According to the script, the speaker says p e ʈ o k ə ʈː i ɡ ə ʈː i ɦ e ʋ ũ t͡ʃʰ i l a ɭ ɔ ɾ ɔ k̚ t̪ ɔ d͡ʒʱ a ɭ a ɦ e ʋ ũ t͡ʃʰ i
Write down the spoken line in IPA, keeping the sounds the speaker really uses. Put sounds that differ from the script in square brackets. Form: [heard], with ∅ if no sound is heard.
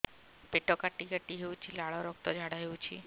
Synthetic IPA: p e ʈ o k [a] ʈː i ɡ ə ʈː i ɦ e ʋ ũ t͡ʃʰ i l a ɭ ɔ ɾ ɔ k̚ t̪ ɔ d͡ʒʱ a [ɽ] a ɦ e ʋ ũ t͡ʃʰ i